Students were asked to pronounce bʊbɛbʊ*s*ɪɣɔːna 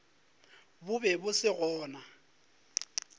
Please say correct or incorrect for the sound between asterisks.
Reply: correct